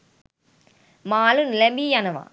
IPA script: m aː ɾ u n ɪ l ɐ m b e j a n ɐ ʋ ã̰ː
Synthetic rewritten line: m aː l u n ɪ l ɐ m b i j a n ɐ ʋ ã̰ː